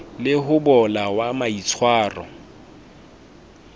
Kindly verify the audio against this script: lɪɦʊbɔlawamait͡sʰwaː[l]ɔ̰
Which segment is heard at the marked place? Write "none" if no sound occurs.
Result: r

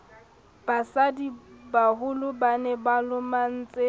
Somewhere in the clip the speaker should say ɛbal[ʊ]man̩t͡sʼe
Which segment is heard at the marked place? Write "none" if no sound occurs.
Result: ʊ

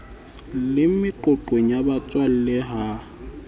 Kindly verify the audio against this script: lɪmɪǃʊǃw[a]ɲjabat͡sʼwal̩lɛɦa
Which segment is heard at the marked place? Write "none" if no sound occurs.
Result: e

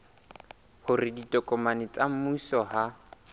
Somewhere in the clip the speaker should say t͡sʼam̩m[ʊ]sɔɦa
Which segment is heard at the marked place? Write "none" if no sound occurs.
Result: u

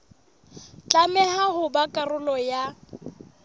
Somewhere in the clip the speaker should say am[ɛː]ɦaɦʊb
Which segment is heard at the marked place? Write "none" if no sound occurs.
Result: ɛ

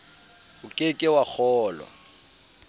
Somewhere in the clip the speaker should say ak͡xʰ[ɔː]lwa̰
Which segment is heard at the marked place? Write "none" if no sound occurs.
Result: ɔː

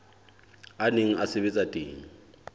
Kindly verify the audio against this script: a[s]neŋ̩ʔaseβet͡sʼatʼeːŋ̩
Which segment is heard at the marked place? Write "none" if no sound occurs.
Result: none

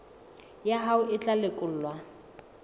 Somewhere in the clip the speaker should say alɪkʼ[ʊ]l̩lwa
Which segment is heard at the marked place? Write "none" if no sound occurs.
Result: ʊ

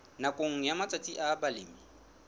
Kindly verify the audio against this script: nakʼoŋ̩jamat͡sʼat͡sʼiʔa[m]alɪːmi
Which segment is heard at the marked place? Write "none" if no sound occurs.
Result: b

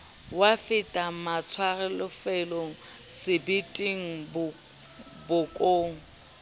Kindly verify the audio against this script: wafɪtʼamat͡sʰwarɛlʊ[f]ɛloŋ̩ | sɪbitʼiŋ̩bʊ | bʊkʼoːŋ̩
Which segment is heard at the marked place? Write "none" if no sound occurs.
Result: f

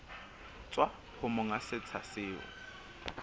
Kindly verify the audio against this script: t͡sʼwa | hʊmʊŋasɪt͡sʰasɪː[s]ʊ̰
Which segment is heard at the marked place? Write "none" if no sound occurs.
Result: none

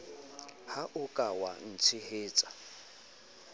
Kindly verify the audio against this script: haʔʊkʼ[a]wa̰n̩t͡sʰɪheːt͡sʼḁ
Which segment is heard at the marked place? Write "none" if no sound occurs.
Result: a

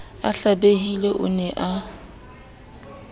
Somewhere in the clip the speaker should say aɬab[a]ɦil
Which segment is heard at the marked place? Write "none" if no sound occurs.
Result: e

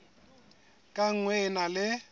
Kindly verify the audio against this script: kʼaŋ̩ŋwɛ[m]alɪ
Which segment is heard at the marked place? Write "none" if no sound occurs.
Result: n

